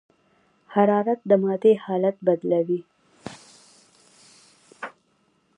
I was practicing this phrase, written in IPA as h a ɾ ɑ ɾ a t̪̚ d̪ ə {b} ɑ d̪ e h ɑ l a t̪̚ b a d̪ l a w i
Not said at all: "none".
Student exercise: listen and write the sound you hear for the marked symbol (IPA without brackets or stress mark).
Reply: m